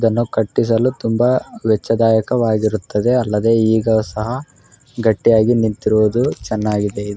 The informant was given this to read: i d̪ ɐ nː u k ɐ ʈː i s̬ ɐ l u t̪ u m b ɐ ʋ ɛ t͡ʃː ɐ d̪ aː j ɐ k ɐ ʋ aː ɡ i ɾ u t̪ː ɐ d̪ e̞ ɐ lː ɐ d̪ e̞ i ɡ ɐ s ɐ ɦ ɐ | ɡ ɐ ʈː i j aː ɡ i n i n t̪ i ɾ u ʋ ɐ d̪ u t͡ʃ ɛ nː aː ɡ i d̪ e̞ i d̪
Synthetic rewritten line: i d̪ ɐ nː u k ɐ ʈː i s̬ ɐ l u t̪ u m b ɐ ʋ ɛ t͡ʃː ɐ d̪ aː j ɐ k ɐ ʋ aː ɡ i ɾ u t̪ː ɐ d̪ e̞ ɐ lː ɐ d̪ e̞ iː ɡ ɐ s ɐ ɦ ɐ | ɡ ɐ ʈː i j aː ɡ i n i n t̪ i ɾ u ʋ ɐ d̪ u t͡ʃ ɛ nː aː ɡ i d̪ e̞ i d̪